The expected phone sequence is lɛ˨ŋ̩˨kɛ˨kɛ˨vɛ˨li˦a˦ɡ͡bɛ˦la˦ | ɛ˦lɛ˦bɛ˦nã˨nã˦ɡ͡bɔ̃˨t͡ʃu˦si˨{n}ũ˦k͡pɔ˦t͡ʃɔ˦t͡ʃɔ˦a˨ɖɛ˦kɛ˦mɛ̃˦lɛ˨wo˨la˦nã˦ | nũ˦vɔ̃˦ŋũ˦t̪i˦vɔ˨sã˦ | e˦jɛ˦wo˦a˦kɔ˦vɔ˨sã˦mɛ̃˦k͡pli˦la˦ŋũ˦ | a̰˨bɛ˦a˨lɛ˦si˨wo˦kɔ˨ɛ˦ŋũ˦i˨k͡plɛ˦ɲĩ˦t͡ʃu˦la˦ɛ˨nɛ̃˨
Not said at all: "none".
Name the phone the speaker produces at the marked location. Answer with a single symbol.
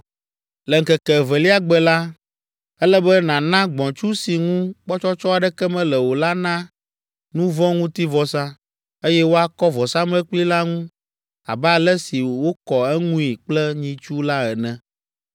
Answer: ŋ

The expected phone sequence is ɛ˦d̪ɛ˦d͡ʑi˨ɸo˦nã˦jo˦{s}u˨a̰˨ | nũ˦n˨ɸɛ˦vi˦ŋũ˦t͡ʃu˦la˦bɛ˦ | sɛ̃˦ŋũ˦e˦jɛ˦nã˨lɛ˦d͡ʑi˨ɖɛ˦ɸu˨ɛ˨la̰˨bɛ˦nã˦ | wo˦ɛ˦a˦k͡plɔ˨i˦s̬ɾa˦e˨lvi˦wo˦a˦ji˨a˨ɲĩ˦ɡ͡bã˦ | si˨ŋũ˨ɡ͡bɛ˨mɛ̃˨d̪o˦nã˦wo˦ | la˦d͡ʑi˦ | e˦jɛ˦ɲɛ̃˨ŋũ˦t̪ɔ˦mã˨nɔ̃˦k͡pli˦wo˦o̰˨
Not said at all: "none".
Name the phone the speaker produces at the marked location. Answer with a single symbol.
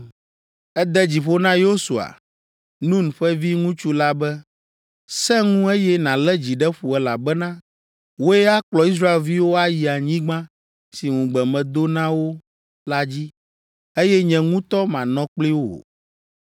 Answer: s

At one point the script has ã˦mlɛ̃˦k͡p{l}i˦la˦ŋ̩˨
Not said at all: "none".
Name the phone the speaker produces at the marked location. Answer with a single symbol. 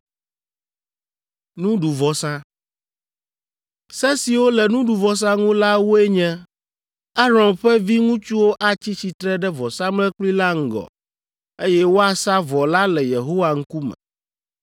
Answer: l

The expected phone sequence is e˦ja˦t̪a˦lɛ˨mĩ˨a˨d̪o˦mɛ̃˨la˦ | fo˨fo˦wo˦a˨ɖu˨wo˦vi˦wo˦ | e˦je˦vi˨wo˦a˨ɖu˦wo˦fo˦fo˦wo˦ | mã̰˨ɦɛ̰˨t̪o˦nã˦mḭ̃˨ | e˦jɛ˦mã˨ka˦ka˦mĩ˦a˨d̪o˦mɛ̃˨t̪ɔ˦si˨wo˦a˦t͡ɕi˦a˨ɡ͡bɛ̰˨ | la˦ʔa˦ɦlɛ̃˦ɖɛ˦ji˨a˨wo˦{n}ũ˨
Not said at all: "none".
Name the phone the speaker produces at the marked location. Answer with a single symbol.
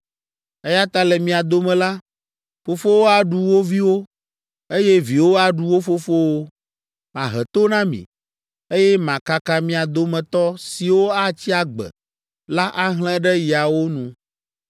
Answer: n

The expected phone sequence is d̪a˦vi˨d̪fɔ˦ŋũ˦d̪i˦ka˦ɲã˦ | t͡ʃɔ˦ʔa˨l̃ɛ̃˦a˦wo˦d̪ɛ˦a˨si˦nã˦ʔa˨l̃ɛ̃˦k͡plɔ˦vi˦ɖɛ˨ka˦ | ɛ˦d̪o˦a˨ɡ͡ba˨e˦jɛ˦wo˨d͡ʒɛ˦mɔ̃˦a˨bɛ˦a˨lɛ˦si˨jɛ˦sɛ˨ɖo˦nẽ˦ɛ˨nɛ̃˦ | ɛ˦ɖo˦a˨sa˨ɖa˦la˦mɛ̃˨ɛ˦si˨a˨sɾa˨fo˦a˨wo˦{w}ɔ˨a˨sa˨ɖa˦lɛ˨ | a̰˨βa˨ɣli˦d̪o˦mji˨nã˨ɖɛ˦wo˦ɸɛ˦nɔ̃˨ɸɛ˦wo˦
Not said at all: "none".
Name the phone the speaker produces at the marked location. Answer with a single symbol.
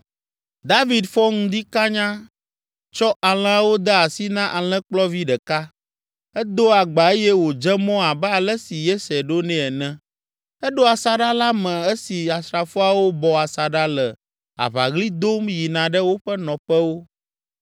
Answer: b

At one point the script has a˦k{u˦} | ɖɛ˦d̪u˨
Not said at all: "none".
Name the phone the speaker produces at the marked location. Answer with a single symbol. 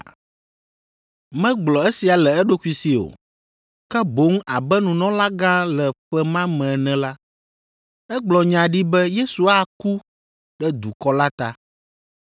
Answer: u˦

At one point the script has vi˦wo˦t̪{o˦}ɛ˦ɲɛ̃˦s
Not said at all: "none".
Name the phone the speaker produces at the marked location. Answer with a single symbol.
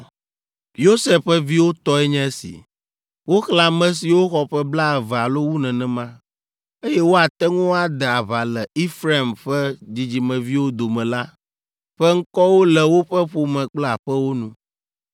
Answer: ɔ˦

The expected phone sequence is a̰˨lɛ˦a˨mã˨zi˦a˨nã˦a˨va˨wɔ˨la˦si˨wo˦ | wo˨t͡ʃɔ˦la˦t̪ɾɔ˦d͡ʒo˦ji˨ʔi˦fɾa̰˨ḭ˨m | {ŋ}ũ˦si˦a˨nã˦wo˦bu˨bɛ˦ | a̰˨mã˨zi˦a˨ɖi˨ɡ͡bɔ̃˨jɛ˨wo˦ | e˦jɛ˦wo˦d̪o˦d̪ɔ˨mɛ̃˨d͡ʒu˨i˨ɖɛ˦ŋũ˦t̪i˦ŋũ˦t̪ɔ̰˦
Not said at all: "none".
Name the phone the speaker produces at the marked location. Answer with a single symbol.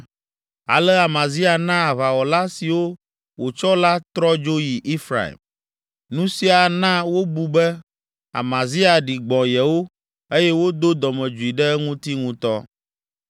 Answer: n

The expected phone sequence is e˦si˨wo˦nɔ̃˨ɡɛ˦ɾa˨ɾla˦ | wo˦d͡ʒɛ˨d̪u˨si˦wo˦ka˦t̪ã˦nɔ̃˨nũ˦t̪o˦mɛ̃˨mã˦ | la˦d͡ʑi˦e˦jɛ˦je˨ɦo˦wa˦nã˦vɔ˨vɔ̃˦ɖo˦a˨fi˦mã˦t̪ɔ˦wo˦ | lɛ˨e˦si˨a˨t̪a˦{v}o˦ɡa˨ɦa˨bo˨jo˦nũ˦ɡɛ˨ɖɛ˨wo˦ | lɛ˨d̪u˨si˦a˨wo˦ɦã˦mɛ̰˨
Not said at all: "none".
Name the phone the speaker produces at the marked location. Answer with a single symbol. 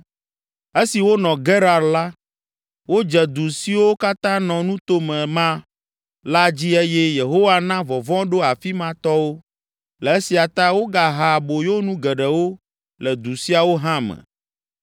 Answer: w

